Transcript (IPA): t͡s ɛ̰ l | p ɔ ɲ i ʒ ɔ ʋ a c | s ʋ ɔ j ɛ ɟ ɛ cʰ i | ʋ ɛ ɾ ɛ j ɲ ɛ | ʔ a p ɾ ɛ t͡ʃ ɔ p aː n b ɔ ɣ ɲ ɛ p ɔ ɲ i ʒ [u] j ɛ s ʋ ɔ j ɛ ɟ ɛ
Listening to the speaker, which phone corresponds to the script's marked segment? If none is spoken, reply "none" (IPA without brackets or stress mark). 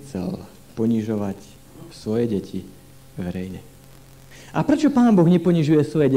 u